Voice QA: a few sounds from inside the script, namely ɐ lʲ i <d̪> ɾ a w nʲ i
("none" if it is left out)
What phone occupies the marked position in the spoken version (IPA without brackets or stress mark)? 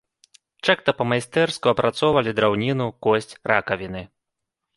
d̪